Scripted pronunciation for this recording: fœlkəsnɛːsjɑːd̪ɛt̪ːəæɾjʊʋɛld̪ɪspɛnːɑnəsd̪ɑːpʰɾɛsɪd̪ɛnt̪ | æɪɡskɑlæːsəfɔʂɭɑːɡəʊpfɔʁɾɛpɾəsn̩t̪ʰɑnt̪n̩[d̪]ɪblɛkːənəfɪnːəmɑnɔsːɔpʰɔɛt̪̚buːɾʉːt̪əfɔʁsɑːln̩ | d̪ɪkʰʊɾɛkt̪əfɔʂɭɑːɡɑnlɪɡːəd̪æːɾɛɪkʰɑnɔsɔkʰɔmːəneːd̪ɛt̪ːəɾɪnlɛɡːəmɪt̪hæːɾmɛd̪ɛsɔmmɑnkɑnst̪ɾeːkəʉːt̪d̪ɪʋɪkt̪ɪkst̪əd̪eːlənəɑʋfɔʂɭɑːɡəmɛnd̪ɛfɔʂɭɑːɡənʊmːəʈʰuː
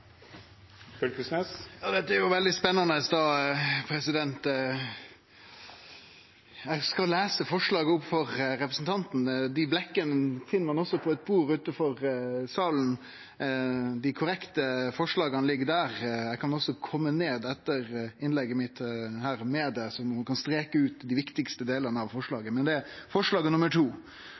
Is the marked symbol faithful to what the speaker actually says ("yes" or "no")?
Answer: yes